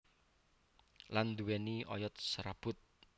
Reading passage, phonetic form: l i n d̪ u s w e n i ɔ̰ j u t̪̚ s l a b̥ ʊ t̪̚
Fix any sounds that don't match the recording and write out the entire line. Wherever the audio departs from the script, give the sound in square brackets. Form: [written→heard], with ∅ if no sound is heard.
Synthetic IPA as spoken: l [i→a] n d̪ u [s→∅] w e n i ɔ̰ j [u→ɔ] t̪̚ s [l→ɾ] a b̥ ʊ t̪̚